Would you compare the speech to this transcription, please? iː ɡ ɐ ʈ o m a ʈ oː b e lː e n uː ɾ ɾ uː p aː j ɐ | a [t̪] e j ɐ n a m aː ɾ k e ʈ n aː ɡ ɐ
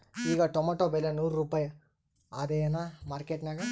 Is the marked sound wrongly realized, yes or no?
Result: yes